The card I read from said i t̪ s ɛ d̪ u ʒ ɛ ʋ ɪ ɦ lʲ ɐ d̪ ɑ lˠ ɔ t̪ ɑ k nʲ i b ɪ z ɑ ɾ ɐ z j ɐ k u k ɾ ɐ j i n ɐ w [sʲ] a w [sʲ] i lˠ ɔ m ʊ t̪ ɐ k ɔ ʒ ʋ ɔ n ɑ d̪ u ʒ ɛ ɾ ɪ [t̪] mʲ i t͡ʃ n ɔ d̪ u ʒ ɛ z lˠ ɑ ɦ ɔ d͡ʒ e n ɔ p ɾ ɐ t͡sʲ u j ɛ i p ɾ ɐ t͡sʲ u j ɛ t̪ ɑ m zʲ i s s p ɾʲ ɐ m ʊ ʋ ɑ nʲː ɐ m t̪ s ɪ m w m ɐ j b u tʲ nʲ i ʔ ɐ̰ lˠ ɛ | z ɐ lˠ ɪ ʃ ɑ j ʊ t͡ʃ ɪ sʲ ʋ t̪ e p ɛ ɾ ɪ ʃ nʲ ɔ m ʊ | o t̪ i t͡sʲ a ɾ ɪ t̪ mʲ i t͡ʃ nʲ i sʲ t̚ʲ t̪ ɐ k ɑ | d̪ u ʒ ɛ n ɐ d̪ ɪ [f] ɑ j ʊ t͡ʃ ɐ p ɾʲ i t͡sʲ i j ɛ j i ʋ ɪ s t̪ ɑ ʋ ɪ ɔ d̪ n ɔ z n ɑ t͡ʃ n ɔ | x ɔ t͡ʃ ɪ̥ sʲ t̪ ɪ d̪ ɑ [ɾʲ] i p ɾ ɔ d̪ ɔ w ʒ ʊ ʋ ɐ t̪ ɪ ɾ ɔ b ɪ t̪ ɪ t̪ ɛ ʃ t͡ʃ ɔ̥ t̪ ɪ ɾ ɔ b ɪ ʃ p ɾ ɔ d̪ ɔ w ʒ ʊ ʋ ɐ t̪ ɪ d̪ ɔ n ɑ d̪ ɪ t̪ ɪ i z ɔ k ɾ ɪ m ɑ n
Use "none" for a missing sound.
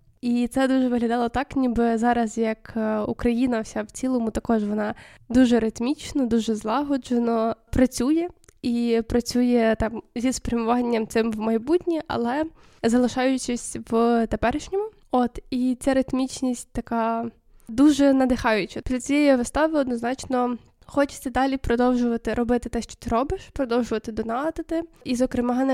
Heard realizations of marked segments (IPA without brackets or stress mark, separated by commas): sʲ, t͡sʲ, t̪, x, lʲ